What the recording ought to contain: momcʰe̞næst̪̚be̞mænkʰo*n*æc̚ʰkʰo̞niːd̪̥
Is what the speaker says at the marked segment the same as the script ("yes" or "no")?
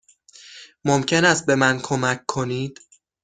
no